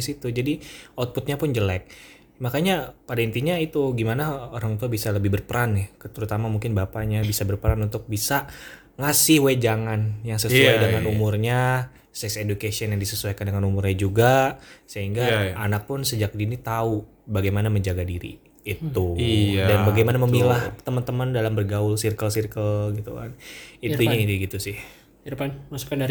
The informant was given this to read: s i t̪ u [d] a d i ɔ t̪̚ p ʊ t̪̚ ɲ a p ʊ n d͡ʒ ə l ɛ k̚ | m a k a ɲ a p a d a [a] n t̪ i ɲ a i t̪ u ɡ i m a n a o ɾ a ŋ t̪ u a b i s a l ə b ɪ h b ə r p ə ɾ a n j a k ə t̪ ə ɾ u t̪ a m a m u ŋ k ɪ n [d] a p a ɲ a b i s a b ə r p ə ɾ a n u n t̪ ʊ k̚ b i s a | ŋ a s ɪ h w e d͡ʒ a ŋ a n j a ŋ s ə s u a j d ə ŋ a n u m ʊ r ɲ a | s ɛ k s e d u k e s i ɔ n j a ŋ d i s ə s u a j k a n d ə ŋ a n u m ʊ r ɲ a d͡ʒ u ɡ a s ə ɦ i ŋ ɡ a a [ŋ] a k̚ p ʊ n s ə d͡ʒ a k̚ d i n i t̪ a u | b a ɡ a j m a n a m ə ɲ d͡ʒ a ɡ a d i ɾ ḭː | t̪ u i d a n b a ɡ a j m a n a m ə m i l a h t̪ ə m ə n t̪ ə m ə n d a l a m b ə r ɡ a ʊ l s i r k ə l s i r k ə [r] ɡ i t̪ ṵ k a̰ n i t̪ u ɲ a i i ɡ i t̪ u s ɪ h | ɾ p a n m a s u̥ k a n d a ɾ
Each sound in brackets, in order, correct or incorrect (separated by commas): incorrect, incorrect, incorrect, incorrect, incorrect